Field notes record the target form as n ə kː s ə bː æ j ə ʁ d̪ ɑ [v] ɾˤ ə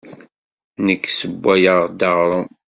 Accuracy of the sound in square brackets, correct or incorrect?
incorrect